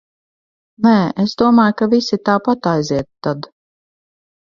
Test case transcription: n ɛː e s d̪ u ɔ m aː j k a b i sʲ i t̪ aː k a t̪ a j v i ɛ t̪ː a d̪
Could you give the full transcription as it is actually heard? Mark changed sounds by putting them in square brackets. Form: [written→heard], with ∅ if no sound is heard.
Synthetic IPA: n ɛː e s d̪ u ɔ m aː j k a [b→v] i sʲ i t̪ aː [k→p] a t̪ a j [v→z] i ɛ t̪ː a d̪

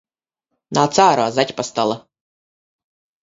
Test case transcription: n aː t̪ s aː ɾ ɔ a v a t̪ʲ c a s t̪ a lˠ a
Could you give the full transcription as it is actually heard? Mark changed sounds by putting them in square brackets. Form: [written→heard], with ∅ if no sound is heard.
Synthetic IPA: n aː t̪ s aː ɾ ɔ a [v→z] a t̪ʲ [c→p] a s t̪ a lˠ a

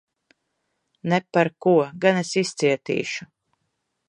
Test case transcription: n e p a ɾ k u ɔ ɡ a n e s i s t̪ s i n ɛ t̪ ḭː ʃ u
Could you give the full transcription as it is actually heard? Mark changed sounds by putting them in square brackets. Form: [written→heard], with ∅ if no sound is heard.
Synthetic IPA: n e p a ɾ k u ɔ ɡ a n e s i s t̪ s i [n→∅] ɛ t̪ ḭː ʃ u

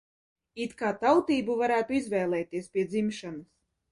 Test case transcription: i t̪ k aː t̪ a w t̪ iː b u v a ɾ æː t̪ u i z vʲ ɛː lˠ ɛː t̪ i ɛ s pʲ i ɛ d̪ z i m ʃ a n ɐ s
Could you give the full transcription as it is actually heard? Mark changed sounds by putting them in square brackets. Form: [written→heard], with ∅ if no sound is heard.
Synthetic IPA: i t̪ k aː t̪ a w t̪ iː b u v a ɾ æː t̪ u i z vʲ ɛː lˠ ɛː t̪ i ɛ s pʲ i ɛ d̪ z i m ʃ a n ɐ s

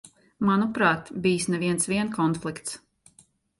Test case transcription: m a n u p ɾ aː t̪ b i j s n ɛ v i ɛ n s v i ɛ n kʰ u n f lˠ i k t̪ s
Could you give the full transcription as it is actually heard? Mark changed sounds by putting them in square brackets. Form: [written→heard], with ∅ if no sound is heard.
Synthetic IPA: m a n u p ɾ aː t̪ b i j s n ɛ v i ɛ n s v i ɛ n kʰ [u→ɔ] n f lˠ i k t̪ s

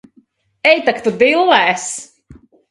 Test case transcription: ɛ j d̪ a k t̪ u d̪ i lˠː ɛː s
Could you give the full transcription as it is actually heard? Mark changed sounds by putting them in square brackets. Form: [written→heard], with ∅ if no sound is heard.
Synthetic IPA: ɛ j [d̪→t̪] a k t̪ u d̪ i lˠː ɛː s

